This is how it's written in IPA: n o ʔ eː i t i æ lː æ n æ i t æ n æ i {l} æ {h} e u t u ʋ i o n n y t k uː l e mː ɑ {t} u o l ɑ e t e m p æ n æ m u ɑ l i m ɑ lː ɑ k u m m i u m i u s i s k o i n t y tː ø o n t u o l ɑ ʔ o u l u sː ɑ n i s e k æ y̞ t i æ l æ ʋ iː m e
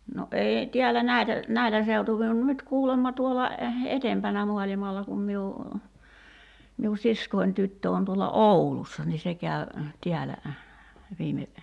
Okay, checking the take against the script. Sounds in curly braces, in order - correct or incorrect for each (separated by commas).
correct, incorrect, correct